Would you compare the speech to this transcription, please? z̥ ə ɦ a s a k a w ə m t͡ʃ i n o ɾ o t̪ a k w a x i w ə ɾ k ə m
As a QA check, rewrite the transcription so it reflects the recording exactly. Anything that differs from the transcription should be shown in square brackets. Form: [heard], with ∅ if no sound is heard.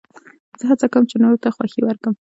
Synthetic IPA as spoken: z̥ ə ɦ a [t͡s] a k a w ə m t͡ʃ [e] n o ɾ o t̪ a [x] w a x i w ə ɾ k ə m